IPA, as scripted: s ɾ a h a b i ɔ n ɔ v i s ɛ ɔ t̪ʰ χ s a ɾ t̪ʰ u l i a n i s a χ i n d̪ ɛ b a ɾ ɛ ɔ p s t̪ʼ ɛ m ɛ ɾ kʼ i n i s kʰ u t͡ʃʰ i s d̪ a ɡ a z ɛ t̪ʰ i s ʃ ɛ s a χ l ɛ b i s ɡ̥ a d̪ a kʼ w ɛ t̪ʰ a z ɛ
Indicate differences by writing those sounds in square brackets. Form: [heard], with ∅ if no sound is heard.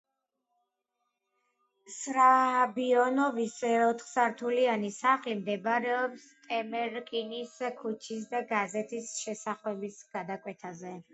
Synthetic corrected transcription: s ɾ a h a b i ɔ n ɔ v i s ɛ ɔ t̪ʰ χ s a ɾ t̪ʰ u l i a n i s a χ i [m] d̪ ɛ b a ɾ ɛ ɔ p s t̪ʼ ɛ m ɛ ɾ kʼ i n i s kʰ u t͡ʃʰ i s d̪ a ɡ a z ɛ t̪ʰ i s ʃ ɛ s a χ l ɛ b i s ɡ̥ a d̪ a kʼ w ɛ t̪ʰ a z ɛ

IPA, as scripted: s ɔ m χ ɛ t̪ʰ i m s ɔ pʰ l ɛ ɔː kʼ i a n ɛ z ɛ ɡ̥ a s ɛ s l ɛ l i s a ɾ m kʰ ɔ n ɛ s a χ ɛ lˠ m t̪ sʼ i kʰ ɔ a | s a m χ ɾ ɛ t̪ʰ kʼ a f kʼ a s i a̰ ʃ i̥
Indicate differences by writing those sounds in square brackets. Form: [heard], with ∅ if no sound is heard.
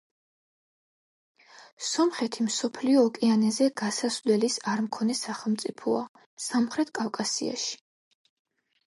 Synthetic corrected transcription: s ɔ m χ ɛ t̪ʰ i m s ɔ pʰ l [i] ɔː kʼ i a n ɛ z ɛ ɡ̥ a s [a] s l ɛ l i s a ɾ m kʰ ɔ n ɛ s a χ ɛ lˠ m t̪ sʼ i [pʰ] ɔ a | s a m χ ɾ ɛ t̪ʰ kʼ a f kʼ a s i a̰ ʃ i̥

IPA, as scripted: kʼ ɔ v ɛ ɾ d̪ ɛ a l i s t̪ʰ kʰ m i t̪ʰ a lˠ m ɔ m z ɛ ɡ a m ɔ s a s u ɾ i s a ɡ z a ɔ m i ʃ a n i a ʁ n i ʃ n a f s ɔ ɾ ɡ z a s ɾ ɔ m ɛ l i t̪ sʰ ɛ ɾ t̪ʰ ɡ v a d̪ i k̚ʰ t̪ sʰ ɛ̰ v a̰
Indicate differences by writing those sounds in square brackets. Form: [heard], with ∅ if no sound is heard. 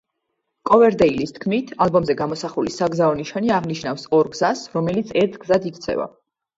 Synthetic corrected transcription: kʼ ɔ v ɛ ɾ d̪ ɛ [i] l i s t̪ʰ kʰ m i t̪ʰ a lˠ [b] ɔ m z ɛ ɡ a m ɔ s a [χ] u [l] i s a ɡ z a ɔ [n] i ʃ a n i a ʁ n i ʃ n a f s ɔ ɾ ɡ z a s ɾ ɔ m ɛ l i t̪ sʰ ɛ ɾ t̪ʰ ɡ [z] a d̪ i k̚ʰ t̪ sʰ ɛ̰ v a̰

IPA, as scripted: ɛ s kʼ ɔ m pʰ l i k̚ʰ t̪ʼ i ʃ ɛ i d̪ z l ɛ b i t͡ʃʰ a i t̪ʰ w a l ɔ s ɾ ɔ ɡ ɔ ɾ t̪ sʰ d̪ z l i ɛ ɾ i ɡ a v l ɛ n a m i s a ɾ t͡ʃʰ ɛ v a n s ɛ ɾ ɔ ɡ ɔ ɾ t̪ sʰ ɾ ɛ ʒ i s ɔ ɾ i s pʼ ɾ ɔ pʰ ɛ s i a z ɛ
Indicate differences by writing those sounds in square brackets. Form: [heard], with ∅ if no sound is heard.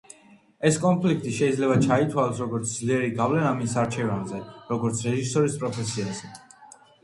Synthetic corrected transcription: ɛ s kʼ ɔ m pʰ l i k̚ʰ t̪ʼ i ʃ ɛ i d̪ z l ɛ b [a] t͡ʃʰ a i t̪ʰ w a l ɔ s ɾ ɔ ɡ ɔ ɾ t̪ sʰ d̪ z l i ɛ ɾ i ɡ a v l ɛ n a m i s a ɾ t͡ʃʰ ɛ v a n [z] ɛ ɾ ɔ ɡ ɔ ɾ t̪ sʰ ɾ ɛ ʒ i s ɔ ɾ i s pʼ ɾ ɔ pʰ ɛ s i a z ɛ

